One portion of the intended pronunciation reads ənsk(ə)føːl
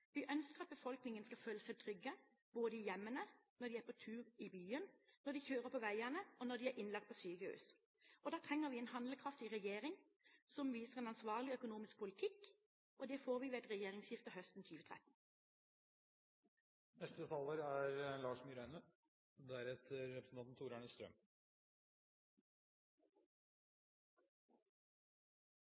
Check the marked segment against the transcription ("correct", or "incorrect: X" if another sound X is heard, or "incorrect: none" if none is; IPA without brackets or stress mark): incorrect: ɑ